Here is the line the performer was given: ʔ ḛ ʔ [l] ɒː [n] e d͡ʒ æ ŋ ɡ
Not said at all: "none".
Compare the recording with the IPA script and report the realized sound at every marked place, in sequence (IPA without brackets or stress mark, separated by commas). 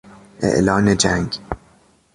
l, n